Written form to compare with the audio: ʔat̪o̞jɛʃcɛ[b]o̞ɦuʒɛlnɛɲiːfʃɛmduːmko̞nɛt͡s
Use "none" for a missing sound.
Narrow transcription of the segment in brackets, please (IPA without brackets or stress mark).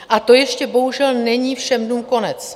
b